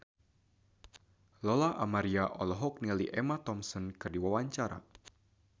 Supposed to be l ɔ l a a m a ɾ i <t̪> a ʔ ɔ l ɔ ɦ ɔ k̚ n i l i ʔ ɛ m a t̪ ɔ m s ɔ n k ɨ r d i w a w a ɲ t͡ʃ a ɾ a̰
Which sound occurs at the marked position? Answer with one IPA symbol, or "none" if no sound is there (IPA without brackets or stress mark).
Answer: none